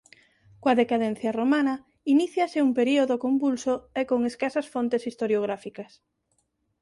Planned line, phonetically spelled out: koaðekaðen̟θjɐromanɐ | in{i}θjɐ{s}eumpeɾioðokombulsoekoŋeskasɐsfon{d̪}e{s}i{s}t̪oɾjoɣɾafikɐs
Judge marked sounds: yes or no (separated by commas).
yes, yes, no, yes, yes